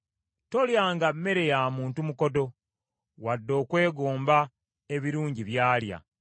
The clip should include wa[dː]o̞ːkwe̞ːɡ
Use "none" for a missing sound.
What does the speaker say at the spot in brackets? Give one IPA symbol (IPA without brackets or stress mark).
dː